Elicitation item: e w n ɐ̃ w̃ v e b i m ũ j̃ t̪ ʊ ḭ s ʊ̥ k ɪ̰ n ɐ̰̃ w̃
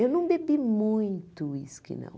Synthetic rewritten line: e w n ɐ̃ w̃ b e b i m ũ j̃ t̪ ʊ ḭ s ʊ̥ k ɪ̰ n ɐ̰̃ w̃